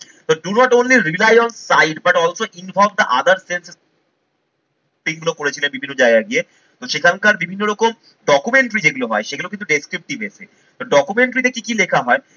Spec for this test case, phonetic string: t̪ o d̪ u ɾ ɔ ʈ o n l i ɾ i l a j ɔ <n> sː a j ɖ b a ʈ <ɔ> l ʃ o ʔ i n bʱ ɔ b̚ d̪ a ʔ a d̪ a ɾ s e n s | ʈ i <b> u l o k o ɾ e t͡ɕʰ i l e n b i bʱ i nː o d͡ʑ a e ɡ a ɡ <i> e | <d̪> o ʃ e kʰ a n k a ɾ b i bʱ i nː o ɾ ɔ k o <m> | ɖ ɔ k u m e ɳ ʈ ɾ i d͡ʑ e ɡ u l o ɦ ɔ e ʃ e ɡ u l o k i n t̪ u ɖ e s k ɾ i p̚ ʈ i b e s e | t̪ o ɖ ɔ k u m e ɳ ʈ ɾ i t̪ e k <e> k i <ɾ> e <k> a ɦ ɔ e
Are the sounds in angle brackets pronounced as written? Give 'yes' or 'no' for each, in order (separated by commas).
yes, yes, no, yes, no, yes, no, no, no